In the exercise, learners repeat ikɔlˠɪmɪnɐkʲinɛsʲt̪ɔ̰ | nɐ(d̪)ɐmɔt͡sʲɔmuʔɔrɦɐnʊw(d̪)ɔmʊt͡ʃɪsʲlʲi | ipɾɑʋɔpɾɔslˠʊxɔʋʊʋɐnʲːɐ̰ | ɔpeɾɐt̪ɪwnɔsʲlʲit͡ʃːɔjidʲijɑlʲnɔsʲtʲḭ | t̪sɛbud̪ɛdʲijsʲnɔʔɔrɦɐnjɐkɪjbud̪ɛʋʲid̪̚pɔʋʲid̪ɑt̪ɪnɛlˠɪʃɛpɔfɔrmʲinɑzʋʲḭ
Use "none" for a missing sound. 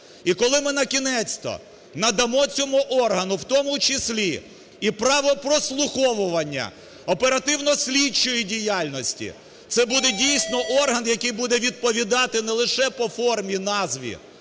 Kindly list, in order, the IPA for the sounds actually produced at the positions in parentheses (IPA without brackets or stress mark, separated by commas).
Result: d̪, t̪